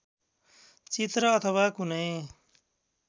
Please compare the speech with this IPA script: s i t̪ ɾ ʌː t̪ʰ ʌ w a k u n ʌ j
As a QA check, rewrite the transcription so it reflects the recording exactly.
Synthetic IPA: t͡s i t̪ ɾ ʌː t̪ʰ ʌ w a k u n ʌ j